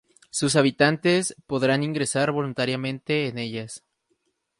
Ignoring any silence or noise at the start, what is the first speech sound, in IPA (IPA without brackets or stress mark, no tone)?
s